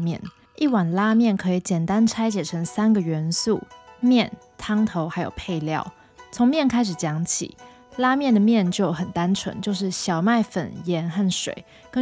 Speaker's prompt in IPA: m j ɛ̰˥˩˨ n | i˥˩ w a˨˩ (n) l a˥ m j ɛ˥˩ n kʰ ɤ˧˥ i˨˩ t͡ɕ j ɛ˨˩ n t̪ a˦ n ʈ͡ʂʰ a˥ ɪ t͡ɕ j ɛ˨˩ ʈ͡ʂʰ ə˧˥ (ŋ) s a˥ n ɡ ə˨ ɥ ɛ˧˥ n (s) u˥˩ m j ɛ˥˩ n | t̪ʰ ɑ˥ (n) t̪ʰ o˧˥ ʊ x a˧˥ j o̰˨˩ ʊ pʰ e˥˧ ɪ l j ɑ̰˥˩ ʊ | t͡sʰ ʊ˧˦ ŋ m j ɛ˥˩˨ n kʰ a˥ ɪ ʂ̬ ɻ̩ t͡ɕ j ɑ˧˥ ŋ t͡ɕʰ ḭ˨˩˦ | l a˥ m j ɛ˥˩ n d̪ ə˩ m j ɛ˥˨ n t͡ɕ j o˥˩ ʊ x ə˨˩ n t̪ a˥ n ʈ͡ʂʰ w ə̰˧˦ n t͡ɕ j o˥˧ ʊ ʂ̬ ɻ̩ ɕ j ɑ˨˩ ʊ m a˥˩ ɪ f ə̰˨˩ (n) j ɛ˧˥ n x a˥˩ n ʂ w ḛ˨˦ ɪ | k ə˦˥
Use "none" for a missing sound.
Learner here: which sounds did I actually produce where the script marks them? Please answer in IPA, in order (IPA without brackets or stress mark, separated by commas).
n, ŋ, s, ŋ, n